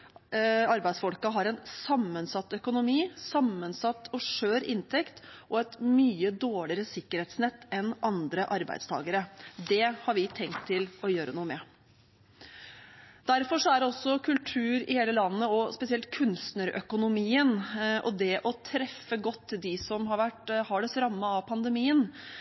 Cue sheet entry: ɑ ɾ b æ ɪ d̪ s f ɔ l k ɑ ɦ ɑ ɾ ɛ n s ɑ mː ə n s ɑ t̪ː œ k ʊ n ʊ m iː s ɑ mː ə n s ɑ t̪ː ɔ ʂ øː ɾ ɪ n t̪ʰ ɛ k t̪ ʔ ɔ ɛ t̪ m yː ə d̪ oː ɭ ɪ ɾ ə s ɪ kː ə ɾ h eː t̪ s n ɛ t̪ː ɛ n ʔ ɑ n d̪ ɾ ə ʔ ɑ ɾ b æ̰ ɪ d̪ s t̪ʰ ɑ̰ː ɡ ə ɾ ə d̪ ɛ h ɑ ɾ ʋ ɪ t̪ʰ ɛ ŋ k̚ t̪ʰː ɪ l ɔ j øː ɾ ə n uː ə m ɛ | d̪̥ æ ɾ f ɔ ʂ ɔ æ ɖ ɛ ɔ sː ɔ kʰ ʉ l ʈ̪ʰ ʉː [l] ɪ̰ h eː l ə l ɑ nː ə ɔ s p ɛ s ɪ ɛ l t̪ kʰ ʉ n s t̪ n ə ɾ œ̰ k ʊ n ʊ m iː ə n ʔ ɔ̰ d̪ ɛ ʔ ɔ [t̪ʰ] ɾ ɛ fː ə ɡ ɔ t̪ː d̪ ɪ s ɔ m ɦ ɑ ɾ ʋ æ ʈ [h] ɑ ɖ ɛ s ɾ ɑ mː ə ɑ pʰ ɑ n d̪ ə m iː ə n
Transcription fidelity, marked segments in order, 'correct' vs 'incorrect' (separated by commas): incorrect, correct, correct